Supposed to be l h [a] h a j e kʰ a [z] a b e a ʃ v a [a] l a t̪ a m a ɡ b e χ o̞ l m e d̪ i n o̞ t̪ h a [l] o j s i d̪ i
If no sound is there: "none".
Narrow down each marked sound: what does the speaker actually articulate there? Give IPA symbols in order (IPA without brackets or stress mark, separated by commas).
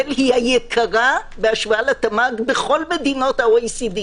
i, ʁ, a, none